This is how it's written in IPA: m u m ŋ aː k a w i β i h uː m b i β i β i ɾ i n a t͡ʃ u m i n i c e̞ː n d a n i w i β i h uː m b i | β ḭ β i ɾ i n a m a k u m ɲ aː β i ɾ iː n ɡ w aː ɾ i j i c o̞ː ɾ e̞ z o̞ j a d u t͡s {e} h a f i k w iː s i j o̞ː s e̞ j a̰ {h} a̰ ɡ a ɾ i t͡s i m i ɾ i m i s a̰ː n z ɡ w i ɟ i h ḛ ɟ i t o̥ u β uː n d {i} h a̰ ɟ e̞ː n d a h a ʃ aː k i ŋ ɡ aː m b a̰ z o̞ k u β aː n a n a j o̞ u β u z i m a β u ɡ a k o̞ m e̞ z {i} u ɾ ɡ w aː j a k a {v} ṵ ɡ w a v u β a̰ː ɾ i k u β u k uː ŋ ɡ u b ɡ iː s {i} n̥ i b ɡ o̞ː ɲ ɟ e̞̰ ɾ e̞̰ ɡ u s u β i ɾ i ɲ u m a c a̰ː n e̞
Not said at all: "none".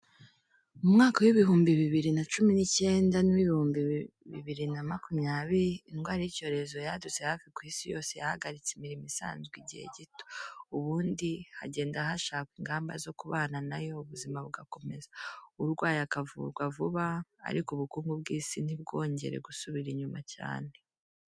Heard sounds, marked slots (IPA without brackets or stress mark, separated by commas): e, h, i, a, v, i